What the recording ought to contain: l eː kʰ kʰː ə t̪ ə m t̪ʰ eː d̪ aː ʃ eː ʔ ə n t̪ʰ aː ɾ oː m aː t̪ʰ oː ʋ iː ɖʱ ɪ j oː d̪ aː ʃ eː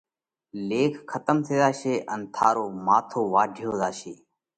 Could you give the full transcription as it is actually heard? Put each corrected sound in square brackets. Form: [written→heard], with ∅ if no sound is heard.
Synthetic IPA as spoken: l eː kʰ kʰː ə t̪ ə m t̪ʰ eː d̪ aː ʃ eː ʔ ə n t̪ʰ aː ɾ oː m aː t̪ʰ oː ʋ [iː→aː] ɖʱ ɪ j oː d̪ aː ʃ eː